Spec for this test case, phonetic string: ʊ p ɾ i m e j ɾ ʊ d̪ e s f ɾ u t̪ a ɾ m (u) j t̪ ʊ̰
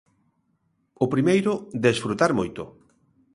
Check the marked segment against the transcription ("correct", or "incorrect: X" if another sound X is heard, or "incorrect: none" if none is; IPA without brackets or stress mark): incorrect: o